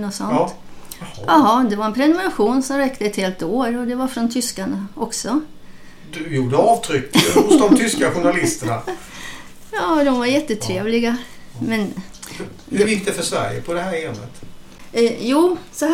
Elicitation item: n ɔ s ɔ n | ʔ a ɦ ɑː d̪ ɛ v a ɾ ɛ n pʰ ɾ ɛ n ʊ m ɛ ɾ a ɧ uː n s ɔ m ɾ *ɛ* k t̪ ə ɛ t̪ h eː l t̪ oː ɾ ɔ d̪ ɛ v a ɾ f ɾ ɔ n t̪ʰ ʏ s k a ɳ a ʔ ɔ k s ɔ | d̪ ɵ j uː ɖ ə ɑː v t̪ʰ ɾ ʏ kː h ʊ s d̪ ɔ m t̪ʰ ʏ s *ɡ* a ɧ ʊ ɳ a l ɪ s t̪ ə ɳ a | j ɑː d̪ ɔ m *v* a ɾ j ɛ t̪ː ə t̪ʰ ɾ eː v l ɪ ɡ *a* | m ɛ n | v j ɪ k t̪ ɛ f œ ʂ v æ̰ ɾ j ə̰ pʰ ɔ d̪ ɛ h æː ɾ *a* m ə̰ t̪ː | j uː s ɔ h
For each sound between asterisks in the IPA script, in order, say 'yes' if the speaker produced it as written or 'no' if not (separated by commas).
yes, no, yes, yes, no